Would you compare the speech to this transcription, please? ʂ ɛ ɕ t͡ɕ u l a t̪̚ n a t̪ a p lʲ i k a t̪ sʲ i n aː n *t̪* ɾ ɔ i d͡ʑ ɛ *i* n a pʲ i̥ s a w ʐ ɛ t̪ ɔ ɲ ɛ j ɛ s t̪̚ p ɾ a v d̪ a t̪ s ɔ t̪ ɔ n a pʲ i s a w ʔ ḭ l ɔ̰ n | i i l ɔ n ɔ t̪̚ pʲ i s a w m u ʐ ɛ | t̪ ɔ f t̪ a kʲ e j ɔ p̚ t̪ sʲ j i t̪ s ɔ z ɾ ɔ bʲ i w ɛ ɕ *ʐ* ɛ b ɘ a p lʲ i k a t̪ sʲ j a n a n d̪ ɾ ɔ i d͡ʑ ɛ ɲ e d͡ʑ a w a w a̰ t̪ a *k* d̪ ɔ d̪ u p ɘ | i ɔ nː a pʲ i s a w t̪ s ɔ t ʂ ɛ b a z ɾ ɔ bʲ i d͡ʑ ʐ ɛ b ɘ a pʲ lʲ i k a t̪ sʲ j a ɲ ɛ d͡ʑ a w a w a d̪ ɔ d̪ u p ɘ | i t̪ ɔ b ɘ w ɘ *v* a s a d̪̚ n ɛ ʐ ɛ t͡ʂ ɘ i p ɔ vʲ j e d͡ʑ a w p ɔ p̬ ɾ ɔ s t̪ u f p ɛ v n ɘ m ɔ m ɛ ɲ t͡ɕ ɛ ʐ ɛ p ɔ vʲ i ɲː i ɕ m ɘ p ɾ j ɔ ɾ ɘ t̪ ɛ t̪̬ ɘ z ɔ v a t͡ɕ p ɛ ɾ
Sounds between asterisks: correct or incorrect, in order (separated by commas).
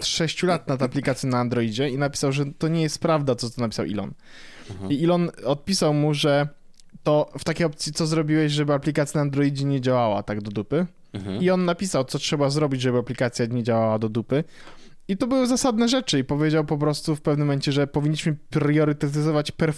incorrect, correct, correct, incorrect, incorrect